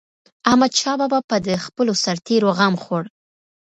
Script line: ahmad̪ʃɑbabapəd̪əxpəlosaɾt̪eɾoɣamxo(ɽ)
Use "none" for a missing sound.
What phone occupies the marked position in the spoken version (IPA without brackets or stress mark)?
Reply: ɽ